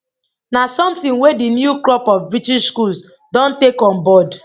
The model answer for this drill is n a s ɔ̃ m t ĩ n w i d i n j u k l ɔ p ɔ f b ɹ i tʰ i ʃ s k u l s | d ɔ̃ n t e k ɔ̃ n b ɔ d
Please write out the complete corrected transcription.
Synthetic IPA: n a s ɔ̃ m t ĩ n w e d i n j u k l ɔ p ɔ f b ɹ i t i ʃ s k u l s | d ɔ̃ n t e k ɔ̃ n b ɔ d